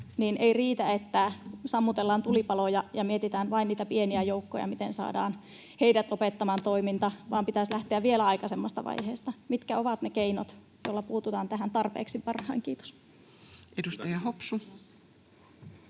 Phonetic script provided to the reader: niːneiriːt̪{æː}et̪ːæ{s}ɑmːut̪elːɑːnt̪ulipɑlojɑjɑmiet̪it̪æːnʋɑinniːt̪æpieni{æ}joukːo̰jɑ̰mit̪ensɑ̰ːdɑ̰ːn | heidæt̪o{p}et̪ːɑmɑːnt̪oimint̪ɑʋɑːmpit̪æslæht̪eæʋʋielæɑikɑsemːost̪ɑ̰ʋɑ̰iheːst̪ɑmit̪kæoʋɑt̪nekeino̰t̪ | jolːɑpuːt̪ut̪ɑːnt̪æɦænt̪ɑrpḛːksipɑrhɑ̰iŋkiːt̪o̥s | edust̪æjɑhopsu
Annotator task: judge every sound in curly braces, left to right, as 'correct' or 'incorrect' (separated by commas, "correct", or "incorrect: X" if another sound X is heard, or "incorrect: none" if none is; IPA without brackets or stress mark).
incorrect: æ, correct, correct, correct